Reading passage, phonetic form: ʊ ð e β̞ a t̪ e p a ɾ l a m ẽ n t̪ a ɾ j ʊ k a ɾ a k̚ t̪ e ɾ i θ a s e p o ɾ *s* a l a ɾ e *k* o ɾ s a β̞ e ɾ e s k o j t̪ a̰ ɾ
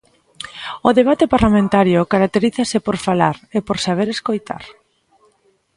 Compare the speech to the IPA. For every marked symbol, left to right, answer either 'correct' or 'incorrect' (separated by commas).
incorrect, incorrect